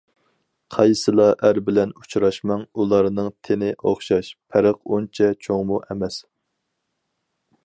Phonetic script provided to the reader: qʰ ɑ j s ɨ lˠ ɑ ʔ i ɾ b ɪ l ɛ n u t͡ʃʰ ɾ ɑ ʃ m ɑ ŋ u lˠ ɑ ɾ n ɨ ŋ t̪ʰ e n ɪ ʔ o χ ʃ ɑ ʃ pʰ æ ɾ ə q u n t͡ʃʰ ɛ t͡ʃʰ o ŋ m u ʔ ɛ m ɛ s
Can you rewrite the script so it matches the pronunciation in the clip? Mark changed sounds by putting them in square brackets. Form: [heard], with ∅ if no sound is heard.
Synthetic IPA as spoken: qʰ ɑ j s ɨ lˠ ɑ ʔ [æ] ɾ b ɪ l ɛ n u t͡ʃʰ ɾ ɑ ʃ m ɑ ŋ u lˠ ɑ ɾ n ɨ ŋ t̪ʰ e n ɪ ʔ o χ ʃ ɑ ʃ pʰ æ ɾ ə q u n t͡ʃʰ ɛ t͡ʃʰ o ŋ m u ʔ ɛ m ɛ s

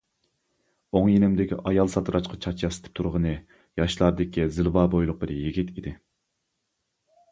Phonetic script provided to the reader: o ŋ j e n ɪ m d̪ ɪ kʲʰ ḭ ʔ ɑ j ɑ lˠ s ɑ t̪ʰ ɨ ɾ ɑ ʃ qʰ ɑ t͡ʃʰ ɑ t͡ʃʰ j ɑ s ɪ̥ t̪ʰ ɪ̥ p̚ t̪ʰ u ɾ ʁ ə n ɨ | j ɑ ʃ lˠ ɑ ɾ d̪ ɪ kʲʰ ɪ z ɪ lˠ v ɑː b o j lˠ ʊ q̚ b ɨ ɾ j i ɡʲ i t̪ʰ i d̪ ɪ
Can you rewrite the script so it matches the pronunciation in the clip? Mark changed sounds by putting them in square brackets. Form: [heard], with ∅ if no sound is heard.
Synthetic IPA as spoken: o ŋ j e n ɪ m d̪ ɪ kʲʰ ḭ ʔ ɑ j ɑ lˠ s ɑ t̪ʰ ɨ ɾ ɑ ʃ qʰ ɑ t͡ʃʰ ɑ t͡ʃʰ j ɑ s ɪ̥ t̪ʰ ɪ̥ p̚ t̪ʰ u ɾ ʁ ə n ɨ | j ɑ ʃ lˠ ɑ ɾ d̪ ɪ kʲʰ [i] z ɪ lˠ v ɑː b o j lˠ ʊ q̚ b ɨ ɾ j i ɡʲ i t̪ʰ i d̪ ɪ

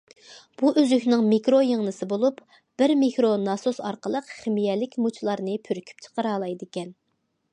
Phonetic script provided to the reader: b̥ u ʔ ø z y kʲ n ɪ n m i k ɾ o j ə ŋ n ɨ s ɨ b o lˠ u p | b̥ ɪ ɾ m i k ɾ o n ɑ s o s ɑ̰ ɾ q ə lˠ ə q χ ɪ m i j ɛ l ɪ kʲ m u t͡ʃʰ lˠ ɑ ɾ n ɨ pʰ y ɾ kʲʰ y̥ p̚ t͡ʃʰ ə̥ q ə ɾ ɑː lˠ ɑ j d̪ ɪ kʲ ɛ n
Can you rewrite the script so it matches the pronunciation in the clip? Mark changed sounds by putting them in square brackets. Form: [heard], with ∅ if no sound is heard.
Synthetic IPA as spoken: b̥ u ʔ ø z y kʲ n ɪ [ŋ] m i k ɾ o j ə ŋ n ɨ s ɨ b o lˠ u p | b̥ ɪ ɾ m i k ɾ o n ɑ s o s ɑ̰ ɾ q ə lˠ ə q χ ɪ m i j ɛ l ɪ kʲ m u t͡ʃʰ lˠ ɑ ɾ n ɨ pʰ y ɾ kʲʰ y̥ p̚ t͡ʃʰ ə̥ q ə ɾ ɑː lˠ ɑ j d̪ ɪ kʲ ɛ n

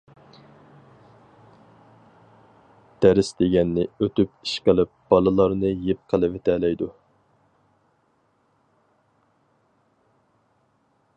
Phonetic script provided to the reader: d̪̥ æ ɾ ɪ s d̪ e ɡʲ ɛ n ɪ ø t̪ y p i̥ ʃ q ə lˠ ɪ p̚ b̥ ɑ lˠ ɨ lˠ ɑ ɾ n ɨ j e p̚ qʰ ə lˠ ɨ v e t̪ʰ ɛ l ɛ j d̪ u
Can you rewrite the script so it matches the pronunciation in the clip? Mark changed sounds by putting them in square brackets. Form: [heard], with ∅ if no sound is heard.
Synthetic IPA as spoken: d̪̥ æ ɾ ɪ s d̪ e ɡʲ ɛ [nː] ɪ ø t̪ y p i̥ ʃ q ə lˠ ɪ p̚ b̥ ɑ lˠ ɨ lˠ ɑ ɾ n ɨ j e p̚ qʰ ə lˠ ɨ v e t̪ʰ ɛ l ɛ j d̪ u

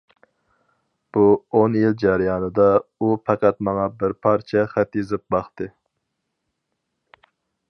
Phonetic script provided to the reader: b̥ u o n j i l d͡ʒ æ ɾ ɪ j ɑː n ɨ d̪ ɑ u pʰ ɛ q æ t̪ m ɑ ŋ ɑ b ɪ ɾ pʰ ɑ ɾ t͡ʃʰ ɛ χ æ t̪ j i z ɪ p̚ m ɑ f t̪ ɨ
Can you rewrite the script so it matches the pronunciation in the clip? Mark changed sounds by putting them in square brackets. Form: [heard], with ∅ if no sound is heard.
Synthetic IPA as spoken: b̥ u o n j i l d͡ʒ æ ɾ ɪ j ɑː n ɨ d̪ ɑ u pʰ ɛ q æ t̪ m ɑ ŋ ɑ b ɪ ɾ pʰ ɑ ɾ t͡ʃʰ ɛ χ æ t̪ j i z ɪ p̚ [b] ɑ [χ] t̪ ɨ

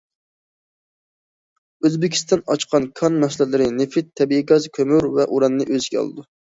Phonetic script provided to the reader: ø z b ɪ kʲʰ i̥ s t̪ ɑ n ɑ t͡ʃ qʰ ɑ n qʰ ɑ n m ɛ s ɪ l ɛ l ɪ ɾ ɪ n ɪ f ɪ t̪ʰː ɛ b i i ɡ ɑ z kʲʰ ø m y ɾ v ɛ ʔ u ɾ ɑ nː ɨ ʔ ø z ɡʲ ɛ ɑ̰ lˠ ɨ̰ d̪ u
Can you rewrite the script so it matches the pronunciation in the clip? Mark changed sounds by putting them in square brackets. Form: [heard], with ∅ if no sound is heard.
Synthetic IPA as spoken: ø z b ɪ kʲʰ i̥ s t̪ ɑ n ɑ t͡ʃ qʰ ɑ n [kʰ] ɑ n m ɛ s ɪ l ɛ l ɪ ɾ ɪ n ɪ f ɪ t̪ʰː ɛ b i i ɡ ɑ z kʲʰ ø m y ɾ v ɛ ʔ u ɾ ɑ nː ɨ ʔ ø z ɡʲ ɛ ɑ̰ lˠ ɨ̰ d̪ u

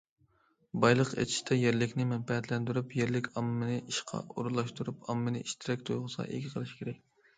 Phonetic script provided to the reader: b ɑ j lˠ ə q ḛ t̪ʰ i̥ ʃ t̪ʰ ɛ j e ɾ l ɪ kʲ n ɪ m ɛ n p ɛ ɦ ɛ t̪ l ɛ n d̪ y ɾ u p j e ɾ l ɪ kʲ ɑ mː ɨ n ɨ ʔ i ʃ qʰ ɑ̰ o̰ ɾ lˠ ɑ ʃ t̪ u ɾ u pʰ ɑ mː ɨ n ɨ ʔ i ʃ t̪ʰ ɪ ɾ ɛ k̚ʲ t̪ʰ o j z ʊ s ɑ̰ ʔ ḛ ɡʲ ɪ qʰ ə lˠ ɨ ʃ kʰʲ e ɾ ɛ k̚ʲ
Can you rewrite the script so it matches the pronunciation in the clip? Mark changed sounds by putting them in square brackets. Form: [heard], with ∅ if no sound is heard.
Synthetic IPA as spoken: b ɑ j lˠ ə q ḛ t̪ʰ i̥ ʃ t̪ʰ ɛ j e ɾ l ɪ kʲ n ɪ m ɛ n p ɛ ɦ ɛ t̪ l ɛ n d̪ y ɾ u p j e ɾ l ɪ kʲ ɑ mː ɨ n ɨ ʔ i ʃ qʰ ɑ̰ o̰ ɾ lˠ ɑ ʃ t̪ u ɾ u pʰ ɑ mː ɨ n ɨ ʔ i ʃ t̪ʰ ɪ ɾ ɛ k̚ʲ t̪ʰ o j [ʁ] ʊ s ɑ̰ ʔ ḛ ɡʲ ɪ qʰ ə lˠ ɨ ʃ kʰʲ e ɾ ɛ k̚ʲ

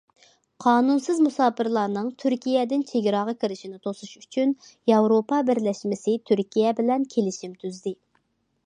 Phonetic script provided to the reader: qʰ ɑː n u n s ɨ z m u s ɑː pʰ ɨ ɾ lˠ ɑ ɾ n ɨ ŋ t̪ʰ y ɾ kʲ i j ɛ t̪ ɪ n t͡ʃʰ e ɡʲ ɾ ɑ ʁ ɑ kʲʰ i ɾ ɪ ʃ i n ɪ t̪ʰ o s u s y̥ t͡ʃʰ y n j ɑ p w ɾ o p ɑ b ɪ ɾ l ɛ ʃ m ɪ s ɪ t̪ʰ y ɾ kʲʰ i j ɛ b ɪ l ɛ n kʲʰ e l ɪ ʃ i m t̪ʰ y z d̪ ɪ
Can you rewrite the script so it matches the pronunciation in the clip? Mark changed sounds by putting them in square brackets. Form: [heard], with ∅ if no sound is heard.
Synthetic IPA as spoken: qʰ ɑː n u n s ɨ z m u s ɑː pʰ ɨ ɾ lˠ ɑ ɾ n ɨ ŋ t̪ʰ y ɾ kʲ i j ɛ [d̪] ɪ n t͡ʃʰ e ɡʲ ɾ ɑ ʁ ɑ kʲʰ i ɾ ɪ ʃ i n ɪ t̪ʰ o s u [ʃ] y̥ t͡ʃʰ y n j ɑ [∅] w ɾ o p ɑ b ɪ ɾ l ɛ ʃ m ɪ s ɪ t̪ʰ y ɾ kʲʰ i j ɛ b ɪ l ɛ n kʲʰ e l ɪ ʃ i m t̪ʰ y z d̪ ɪ

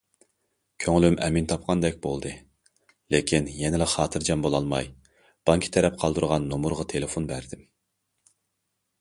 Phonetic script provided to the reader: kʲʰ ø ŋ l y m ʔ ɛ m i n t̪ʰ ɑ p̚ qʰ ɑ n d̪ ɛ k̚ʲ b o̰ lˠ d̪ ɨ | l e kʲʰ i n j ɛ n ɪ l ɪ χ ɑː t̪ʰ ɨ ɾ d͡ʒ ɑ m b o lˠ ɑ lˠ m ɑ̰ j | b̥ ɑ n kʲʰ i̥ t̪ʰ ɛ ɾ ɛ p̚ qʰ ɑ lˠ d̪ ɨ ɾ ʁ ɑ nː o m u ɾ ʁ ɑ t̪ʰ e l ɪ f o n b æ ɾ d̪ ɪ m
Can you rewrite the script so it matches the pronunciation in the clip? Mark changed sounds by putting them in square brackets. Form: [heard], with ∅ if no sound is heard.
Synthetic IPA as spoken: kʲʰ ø ŋ l y m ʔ ɛ m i n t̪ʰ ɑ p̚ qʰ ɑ n d̪ ɛ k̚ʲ b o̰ lˠ d̪ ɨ | l e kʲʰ i n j ɛ n ɪ l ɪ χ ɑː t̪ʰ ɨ ɾ d͡ʒ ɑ m b o lˠ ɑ lˠ m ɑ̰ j | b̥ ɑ [ŋ] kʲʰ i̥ t̪ʰ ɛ ɾ ɛ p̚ qʰ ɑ lˠ d̪ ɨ ɾ ʁ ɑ nː o m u ɾ ʁ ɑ t̪ʰ e l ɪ f o n b æ ɾ d̪ ɪ m

